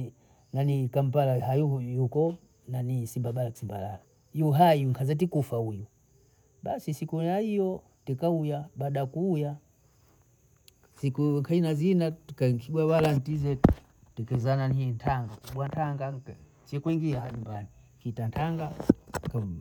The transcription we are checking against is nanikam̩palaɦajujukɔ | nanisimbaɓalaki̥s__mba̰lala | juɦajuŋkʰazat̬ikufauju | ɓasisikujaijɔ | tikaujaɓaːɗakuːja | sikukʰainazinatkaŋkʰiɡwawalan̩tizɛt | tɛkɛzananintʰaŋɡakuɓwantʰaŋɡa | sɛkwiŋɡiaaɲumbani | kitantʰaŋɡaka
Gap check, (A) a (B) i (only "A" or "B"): B